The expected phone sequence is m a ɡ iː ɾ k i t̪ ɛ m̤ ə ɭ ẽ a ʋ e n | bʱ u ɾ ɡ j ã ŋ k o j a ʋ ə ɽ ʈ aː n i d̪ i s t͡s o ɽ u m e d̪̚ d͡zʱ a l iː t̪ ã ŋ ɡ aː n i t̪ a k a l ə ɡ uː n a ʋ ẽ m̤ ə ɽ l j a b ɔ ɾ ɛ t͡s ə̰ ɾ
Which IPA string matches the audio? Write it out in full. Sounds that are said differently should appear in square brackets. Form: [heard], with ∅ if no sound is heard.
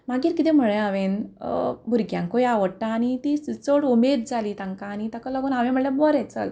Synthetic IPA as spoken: m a ɡ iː ɾ k i t̪ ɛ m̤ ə ɭ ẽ a ʋ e n | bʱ u ɾ ɡ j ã ŋ k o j a ʋ ə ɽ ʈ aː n i [t̪] i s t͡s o ɽ u m e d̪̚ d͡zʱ a l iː t̪ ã ŋ [k] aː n i t̪ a k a l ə ɡ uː n a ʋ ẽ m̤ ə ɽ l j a b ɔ ɾ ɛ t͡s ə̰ [l]